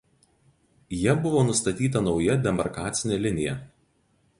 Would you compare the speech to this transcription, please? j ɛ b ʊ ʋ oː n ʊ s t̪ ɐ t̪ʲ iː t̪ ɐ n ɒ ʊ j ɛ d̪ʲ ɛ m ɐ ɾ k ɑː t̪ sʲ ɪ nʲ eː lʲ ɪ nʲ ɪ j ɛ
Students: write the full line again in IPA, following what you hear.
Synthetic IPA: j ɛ b ʊ ʋ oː n ʊ s t̪ ɐ t̪ʲ iː t̪ ɐ n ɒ ʊ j ɛ d̪ʲ ɛ m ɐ ɾ k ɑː t̪ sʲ ɪ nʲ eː lʲ ɪ nʲ ɪ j ɛ